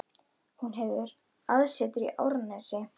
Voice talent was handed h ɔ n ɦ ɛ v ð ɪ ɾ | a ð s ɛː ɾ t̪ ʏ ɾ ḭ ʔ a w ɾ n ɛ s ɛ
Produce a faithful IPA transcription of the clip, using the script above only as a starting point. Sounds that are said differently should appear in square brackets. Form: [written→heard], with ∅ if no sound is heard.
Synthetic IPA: h [ɔ→u] n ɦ ɛ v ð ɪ ɾ | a ð s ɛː [ɾ→∅] t̪ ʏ ɾ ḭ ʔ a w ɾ n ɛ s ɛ